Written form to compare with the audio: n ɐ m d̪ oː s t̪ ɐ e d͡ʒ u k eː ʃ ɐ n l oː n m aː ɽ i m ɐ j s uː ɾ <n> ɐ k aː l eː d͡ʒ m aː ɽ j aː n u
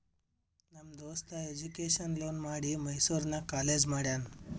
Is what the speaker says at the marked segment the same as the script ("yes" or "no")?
yes